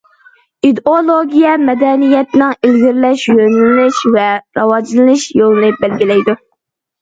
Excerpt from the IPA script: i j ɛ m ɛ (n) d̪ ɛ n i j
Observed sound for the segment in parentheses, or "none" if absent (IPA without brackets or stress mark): none